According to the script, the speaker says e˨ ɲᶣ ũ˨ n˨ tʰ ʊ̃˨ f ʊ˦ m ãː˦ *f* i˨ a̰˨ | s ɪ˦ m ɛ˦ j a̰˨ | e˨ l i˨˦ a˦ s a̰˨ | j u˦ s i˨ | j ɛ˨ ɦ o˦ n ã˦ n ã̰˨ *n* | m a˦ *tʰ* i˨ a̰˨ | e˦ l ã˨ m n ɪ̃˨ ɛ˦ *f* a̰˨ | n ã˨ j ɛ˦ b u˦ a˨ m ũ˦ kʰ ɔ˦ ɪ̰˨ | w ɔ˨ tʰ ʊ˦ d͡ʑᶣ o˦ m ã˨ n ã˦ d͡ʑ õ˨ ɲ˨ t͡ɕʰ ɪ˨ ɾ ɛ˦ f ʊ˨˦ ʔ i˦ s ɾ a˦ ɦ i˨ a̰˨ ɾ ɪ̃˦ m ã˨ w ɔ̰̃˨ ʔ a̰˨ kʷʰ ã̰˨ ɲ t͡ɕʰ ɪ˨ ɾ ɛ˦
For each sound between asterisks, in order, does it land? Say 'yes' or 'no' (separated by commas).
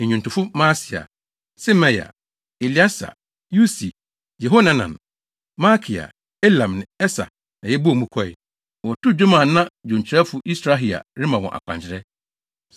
no, yes, no, no